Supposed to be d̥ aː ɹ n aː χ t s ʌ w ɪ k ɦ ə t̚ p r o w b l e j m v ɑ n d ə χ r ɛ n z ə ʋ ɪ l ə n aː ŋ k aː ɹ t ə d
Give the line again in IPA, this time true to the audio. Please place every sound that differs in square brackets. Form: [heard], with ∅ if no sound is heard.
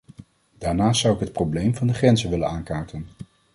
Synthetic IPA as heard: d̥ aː ɹ n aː [s] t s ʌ w ɪ k ɦ ə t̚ p r o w b l e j m v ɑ n d ə χ r ɛ n z ə ʋ ɪ l ə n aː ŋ k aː ɹ t ə [n]